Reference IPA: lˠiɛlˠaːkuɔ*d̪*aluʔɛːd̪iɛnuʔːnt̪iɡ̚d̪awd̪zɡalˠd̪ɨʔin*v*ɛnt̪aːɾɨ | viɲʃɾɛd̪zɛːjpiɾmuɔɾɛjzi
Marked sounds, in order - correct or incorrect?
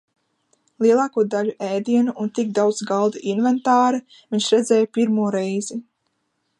correct, correct

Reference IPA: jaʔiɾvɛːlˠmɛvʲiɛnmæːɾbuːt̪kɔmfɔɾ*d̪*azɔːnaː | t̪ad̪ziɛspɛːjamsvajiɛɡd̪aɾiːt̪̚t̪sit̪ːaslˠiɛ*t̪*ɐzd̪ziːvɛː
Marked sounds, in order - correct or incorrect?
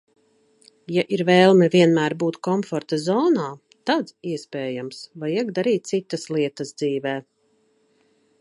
incorrect: t̪, correct

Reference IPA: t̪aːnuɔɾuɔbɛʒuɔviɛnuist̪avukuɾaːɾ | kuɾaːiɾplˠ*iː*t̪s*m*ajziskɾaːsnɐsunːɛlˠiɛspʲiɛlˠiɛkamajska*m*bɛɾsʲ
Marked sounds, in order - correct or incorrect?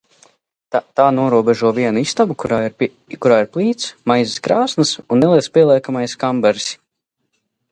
correct, correct, correct

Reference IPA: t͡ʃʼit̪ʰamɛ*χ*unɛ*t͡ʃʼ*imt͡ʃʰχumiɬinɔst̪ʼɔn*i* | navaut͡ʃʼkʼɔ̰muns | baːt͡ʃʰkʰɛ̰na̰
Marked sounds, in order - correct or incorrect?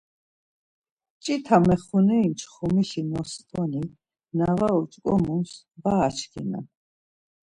correct, incorrect: none, correct

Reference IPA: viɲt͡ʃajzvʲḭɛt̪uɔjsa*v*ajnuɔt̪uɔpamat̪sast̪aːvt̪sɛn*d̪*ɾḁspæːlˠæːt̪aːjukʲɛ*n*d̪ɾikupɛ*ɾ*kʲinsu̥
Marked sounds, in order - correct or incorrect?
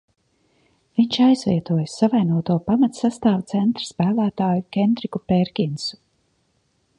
correct, incorrect: t̪, correct, correct

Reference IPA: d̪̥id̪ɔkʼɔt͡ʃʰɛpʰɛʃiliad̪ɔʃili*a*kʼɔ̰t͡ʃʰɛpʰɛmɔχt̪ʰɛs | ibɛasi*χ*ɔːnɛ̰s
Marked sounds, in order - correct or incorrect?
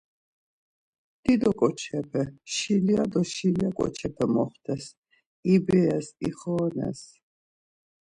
correct, correct

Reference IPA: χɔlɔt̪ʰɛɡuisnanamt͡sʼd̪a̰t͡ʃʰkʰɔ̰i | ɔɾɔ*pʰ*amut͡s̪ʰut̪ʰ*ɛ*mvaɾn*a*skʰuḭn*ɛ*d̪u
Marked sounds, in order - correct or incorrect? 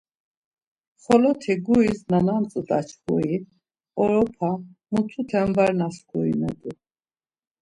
correct, correct, correct, correct

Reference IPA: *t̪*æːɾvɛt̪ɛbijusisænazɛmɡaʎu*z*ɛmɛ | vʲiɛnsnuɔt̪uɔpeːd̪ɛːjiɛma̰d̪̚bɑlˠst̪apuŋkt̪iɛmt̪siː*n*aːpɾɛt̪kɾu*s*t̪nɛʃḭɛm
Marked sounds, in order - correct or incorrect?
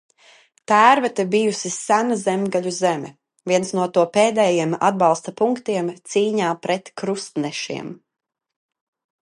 correct, correct, incorrect: ɲ, correct

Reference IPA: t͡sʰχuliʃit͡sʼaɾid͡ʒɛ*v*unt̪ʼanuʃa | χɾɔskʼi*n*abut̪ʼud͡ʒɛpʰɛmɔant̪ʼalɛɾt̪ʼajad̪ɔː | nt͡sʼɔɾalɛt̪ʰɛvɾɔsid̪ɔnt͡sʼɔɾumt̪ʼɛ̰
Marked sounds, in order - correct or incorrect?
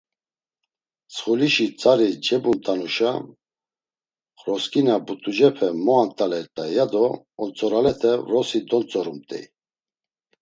incorrect: b, correct

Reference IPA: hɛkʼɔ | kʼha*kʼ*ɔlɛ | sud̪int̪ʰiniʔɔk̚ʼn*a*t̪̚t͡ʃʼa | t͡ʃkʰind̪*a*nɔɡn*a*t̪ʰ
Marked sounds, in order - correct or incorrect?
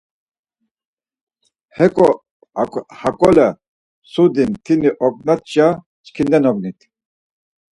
correct, correct, incorrect: ɛ, incorrect: i

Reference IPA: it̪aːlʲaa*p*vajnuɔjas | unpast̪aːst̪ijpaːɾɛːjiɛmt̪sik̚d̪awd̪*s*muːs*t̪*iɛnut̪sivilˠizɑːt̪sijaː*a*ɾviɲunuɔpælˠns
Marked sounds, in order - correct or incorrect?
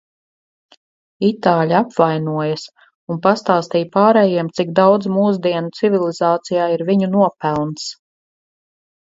correct, incorrect: z, incorrect: d̪, incorrect: i

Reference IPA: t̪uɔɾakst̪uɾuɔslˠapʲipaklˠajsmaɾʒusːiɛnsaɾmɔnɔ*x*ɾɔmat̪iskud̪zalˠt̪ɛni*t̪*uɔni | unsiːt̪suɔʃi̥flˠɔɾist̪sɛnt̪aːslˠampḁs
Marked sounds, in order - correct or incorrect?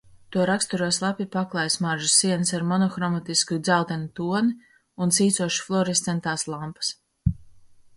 correct, correct

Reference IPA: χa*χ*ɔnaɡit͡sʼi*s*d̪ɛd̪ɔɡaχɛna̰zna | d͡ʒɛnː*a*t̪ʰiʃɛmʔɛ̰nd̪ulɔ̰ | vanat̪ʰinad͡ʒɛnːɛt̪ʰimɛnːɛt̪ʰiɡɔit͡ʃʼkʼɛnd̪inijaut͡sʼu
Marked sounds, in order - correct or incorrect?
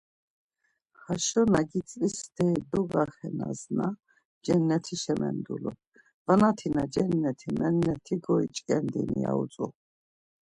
incorrect: ʃ, correct, incorrect: ɛ

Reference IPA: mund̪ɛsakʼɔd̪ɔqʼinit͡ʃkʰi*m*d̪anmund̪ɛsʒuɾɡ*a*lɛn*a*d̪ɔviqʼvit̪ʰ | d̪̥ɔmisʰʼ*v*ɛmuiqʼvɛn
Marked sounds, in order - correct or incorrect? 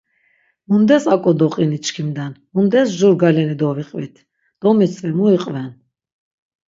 correct, correct, incorrect: i, correct

